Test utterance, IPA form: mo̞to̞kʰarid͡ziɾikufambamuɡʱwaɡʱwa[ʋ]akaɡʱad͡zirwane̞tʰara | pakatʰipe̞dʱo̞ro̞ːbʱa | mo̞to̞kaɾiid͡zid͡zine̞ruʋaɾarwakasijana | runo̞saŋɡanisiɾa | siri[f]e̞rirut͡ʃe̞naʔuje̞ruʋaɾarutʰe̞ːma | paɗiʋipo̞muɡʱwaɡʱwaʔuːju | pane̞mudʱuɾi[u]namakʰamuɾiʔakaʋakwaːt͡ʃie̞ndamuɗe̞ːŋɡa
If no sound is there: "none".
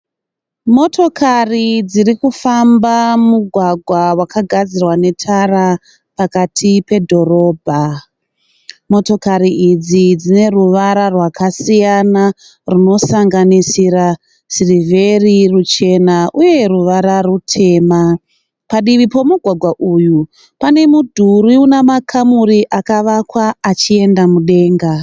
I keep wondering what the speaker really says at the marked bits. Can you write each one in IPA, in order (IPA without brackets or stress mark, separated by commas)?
w, v, u